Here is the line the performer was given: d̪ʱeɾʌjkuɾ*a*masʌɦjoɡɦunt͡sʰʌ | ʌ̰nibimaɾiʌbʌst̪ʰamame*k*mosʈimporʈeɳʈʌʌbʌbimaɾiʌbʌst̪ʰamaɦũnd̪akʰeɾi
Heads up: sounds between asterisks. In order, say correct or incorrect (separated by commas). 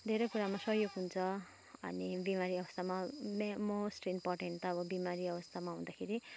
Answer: correct, incorrect